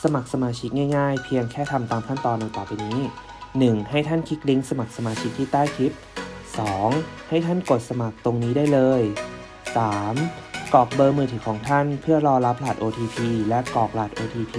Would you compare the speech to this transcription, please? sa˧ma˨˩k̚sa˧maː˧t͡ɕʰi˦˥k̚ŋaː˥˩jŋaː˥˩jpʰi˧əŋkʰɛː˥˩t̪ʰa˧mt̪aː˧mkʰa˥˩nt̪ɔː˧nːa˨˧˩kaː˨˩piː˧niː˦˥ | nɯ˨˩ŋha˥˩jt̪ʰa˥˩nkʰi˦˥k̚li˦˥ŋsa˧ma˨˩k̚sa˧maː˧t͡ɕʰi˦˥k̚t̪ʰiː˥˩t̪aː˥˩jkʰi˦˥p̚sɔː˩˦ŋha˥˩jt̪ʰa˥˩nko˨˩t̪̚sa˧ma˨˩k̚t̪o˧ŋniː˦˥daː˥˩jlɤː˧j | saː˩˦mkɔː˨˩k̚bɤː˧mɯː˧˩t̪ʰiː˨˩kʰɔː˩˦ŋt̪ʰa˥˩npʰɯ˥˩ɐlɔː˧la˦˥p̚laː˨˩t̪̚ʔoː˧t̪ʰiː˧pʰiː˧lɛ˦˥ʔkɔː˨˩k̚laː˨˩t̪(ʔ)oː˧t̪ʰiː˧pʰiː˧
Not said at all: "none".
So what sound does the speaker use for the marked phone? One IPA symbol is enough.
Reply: ʔ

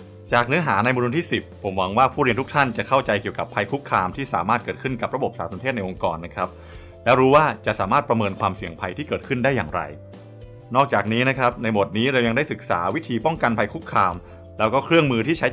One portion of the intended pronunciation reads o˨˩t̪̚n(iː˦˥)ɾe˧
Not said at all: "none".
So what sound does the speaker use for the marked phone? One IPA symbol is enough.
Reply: iː˦˥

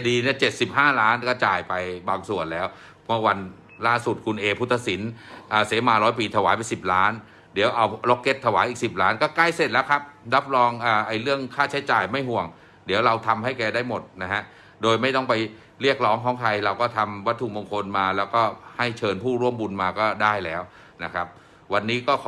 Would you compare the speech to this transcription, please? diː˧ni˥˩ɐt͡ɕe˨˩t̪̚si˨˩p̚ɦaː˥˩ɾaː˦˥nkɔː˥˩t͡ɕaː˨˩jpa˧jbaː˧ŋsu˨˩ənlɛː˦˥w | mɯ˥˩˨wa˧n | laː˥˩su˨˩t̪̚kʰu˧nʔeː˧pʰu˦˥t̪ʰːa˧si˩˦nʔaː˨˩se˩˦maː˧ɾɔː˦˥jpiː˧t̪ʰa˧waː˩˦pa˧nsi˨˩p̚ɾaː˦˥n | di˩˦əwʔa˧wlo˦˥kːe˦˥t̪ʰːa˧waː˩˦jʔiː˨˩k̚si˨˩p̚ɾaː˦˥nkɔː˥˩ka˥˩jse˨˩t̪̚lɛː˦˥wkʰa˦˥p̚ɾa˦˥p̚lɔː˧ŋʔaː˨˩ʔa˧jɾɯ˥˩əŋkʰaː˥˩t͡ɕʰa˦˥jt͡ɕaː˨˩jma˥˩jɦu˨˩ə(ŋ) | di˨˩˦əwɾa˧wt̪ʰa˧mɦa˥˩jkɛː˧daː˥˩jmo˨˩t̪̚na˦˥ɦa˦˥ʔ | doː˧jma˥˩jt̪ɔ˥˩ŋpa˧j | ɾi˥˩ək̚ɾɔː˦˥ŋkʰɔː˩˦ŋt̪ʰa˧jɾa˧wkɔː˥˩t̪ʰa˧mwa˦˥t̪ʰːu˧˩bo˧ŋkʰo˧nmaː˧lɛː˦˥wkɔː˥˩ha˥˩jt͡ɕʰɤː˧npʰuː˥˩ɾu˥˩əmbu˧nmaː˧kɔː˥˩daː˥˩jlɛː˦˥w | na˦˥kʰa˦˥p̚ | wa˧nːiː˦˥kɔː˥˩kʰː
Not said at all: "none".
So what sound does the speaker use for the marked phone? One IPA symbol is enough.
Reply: ŋ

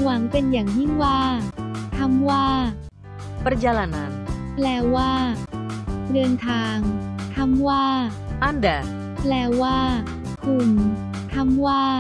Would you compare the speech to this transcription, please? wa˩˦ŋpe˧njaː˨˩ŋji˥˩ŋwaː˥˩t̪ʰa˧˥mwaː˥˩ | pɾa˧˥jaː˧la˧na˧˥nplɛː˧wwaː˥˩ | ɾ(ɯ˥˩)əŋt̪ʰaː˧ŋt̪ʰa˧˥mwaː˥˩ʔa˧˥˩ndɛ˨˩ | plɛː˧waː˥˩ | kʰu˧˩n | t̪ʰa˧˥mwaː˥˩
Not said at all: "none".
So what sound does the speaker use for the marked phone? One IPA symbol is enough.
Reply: ɯ˧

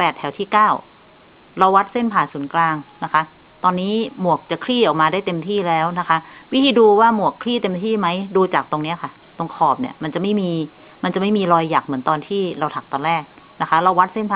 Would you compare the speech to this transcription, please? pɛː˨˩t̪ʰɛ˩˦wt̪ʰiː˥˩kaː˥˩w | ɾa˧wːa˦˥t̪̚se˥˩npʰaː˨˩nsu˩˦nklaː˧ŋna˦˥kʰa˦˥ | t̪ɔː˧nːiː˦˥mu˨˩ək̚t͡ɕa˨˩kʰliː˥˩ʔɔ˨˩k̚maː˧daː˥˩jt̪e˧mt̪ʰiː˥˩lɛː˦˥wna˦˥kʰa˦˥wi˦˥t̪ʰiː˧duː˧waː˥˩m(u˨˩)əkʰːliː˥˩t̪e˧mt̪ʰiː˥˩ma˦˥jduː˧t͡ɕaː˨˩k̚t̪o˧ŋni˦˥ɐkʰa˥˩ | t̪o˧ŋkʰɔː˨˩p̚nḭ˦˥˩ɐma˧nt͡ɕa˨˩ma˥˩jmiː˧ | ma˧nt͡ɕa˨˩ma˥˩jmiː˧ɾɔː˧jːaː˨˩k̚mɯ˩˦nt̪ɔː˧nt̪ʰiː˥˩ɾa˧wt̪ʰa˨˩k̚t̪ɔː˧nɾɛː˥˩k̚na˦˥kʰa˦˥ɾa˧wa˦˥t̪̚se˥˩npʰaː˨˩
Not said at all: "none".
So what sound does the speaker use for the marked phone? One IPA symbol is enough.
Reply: u˨˩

